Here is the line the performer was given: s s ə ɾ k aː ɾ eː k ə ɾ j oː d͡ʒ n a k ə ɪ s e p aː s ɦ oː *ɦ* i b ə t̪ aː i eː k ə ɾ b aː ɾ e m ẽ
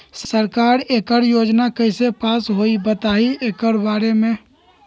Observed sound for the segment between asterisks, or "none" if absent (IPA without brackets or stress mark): none